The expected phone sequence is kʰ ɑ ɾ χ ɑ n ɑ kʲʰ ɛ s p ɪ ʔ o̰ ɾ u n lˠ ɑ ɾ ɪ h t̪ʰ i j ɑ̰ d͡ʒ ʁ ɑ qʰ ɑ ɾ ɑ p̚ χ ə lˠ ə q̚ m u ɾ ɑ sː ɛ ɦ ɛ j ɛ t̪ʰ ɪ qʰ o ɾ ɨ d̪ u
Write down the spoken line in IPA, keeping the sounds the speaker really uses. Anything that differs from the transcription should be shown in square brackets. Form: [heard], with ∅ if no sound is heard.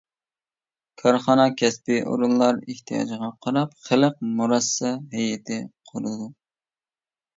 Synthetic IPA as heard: kʰ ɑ ɾ χ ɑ n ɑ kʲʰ ɛ s p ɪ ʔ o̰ ɾ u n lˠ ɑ ɾ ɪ h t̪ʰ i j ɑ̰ d͡ʒ ʁ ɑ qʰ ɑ ɾ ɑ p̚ χ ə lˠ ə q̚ m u ɾ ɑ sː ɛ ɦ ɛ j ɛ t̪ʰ ɪ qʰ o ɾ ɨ d̪ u